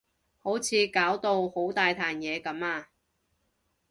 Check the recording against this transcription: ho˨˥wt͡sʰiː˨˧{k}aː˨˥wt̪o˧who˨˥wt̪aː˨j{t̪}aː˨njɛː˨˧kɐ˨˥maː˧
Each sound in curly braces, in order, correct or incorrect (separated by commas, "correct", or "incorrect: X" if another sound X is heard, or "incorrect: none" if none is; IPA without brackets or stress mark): correct, incorrect: t̪ʰ